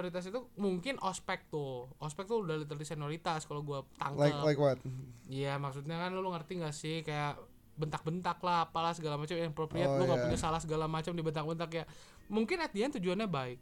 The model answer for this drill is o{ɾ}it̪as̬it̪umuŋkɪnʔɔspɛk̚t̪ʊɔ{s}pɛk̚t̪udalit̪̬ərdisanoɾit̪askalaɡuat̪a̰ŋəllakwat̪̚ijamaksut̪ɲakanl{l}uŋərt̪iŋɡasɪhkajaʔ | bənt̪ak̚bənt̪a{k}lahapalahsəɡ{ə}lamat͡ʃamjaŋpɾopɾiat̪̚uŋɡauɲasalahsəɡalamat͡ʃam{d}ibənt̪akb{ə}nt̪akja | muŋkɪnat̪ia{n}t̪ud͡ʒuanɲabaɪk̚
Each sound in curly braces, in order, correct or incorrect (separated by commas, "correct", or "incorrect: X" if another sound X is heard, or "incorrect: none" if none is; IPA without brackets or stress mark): correct, correct, correct, correct, incorrect: a, correct, correct, correct